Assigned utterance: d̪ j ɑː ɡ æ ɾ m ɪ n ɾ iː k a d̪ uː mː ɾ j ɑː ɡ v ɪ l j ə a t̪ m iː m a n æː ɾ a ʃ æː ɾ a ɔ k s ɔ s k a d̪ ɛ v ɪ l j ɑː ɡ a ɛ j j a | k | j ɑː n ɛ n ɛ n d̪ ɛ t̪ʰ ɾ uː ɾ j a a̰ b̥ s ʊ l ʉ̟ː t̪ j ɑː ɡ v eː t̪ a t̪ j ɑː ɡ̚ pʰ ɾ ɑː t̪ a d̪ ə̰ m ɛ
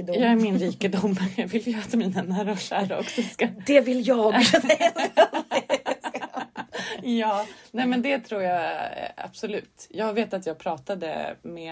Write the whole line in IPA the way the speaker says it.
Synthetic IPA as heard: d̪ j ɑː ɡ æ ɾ m ɪ n ɾ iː k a d̪ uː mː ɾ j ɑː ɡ v ɪ l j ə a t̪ m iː n a n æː ɾ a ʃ æː ɾ a ɔ k s ɔ s k a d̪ ɛ v ɪ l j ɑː ɡ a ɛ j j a | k | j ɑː n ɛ m ɛ n d̪ ɛ t̪ʰ ɾ uː ɾ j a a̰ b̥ s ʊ l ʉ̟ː t̪ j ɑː ɡ v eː t̪ a t̪ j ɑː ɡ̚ pʰ ɾ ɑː t̪ a d̪ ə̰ m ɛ